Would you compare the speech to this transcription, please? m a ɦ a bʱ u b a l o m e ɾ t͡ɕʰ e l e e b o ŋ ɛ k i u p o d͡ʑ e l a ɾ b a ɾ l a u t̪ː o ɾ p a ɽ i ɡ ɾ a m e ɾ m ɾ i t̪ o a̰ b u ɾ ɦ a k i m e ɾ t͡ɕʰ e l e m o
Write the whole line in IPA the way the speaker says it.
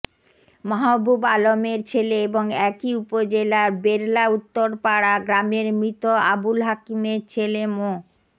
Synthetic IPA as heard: m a ɦ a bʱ u b a l o m e ɾ t͡ɕʰ e l e e b o ŋ ɛ k i u p o d͡ʑ e l a ɾ b e ɾ l a u t̪ː o ɾ p a ɽ a ɡ ɾ a m e ɾ m ɾ i t̪ o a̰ b u l ɦ a k i m e ɾ t͡ɕʰ e l e m o